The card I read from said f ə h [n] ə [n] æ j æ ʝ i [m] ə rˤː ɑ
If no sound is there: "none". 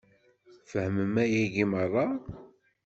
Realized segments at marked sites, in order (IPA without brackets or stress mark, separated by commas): m, m, m